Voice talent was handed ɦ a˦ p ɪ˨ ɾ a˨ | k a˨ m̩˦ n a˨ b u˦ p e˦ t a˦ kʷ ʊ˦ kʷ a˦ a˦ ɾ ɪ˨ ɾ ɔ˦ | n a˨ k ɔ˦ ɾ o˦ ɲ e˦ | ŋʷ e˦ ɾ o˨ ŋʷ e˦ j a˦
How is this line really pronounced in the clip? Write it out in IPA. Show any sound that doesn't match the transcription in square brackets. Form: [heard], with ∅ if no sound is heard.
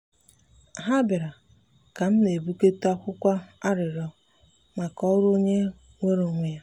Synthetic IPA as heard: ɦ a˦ [b] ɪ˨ ɾ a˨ | k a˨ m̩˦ n [e˨] b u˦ [k] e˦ t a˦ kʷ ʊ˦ kʷ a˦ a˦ ɾ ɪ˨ ɾ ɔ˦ | [m] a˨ k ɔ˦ ɾ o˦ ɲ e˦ | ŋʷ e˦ ɾ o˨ ŋʷ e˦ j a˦